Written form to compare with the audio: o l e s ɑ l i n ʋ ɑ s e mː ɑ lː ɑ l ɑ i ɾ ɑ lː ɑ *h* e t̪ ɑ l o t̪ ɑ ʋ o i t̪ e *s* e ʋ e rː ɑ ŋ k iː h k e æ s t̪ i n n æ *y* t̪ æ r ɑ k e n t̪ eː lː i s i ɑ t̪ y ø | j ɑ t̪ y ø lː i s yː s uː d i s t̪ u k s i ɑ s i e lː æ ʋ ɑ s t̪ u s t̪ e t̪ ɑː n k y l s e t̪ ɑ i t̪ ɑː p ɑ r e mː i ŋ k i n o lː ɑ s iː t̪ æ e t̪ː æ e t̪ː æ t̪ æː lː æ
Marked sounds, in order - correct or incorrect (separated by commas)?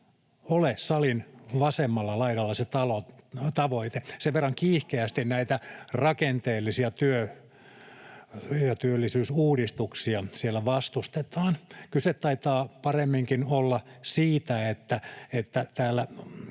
incorrect, correct, incorrect